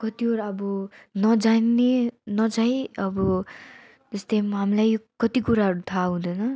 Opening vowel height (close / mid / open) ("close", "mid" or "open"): mid